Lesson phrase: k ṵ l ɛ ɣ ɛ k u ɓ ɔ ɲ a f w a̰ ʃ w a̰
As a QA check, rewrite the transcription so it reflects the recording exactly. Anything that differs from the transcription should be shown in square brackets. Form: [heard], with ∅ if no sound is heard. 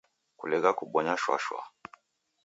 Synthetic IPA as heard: k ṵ l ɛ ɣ [a] k u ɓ ɔ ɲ a [ʃ] w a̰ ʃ w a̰